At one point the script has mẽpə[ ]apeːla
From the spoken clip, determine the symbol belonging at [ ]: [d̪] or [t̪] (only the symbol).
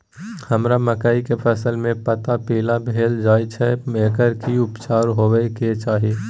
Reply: t̪